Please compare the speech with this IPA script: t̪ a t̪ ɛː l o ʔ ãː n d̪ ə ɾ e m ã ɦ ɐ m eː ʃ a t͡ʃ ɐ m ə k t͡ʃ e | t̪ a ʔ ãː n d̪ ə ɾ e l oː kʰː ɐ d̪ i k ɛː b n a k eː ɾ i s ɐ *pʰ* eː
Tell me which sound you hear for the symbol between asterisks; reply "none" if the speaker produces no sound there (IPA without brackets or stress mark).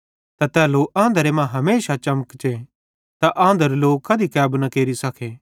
kʰ